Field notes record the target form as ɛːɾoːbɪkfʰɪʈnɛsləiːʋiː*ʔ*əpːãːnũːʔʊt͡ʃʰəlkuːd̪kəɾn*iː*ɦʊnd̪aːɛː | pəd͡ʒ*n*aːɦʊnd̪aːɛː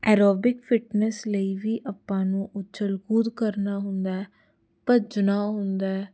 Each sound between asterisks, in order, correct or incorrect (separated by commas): correct, incorrect, correct